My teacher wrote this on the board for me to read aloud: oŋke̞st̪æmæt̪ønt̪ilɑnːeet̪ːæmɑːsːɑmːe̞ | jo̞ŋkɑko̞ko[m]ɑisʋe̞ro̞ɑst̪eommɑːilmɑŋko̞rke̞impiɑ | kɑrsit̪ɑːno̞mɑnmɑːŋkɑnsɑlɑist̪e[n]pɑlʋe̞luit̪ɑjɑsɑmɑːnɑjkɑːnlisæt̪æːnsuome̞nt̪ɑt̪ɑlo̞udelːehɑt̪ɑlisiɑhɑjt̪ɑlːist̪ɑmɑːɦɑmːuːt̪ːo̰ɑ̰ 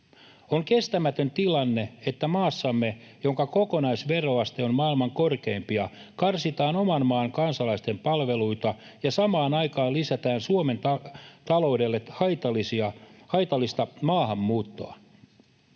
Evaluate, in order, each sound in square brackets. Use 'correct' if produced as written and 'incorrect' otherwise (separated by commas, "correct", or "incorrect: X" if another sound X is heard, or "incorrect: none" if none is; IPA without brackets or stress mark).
incorrect: n, incorrect: m